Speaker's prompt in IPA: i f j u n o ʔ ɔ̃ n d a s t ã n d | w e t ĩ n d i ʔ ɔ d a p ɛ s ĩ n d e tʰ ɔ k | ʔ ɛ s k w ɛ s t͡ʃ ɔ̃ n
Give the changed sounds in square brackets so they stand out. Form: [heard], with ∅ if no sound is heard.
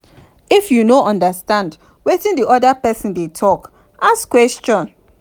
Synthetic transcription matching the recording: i f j u n o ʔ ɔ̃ n d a s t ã n d | w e t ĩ n d i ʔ ɔ d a p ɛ s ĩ n d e tʰ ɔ k | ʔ [a] s k w ɛ s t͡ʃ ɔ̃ n